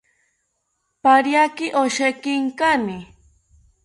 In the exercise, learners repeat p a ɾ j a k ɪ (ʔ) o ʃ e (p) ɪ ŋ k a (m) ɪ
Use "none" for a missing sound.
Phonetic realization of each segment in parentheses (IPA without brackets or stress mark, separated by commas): ʔ, k, n